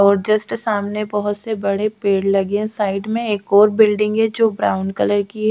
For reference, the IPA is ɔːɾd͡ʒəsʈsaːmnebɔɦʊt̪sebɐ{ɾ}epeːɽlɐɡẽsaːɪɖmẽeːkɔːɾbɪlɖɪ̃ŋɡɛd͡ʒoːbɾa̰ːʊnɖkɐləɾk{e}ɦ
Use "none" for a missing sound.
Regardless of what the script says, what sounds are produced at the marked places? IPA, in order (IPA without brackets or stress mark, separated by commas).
ɽ, i